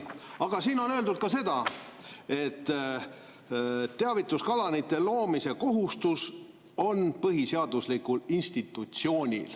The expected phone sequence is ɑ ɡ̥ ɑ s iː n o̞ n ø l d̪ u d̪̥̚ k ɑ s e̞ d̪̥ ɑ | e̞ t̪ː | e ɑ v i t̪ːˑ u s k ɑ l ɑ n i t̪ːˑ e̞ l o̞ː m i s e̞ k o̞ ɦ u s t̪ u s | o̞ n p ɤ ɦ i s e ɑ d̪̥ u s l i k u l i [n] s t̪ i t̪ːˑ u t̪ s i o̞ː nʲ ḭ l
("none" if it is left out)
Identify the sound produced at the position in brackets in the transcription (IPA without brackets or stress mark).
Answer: n